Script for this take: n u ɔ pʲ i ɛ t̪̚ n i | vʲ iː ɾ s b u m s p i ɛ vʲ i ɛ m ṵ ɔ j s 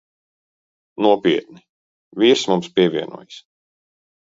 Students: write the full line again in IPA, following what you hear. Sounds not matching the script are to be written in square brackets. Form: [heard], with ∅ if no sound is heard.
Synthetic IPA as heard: n u ɔ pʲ i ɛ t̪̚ n i | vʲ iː ɾ s [m] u m s p i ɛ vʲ i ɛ [n] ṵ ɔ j s